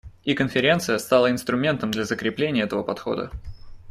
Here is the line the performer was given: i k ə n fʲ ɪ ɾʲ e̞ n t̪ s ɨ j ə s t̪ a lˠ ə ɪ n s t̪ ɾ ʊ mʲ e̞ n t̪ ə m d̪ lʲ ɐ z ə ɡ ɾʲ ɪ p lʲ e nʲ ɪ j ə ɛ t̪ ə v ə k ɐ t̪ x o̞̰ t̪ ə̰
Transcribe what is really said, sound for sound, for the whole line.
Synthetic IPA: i k ə n fʲ ɪ ɾʲ e̞ n t̪ s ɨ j ə s t̪ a lˠ ə ɪ n s t̪ ɾ ʊ mʲ e̞ n t̪ ə m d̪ lʲ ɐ z ə k ɾʲ ɪ p lʲ e nʲ ɪ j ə ɛ t̪ ə v ə p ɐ t̪ x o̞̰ d̪ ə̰